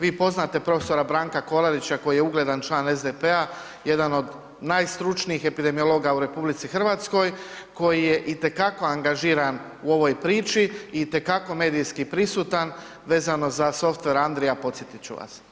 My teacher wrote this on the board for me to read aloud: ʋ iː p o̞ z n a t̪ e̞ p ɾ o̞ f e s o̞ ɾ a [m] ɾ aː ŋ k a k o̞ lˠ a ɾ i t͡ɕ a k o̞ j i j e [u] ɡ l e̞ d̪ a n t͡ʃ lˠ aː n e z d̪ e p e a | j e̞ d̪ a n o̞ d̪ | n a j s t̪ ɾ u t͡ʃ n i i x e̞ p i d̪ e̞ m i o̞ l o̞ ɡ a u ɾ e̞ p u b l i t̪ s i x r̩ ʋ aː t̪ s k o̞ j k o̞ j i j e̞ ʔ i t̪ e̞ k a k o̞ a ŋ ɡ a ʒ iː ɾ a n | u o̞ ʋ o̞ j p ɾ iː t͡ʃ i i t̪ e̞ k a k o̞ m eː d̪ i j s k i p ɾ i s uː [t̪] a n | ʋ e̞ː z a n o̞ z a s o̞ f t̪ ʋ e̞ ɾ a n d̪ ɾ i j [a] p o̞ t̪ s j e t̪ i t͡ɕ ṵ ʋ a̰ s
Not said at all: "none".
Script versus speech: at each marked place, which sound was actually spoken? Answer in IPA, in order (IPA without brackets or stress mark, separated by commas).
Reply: b, u, t̪, a